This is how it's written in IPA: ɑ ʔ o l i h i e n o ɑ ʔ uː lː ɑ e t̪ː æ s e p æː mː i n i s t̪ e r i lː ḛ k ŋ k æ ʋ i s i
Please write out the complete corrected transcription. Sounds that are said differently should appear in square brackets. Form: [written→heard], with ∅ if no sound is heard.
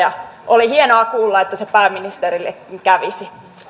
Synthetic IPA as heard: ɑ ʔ o l i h i e n o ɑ [ʔ→k] uː lː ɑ e t̪ː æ s e p æː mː i n i s t̪ e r i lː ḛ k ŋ k æ ʋ i s i